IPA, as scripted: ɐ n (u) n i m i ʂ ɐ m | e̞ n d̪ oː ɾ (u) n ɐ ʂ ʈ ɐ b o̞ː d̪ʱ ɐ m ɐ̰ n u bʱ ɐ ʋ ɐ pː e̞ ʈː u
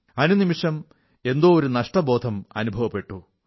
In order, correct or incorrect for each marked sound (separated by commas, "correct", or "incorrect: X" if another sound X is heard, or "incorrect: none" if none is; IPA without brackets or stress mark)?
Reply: correct, correct